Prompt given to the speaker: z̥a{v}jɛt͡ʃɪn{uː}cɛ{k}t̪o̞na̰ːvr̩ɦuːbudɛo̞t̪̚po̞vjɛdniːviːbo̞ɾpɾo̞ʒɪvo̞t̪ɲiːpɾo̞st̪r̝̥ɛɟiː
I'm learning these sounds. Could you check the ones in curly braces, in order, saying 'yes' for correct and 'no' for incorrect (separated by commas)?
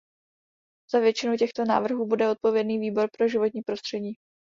yes, no, no